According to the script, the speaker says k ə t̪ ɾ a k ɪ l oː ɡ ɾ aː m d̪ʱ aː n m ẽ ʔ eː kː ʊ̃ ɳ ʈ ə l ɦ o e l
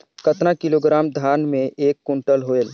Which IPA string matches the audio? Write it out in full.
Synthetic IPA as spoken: k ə t̪ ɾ a k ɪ l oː ɡ ɾ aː m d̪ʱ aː n m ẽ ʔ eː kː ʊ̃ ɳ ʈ ə l ɦ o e l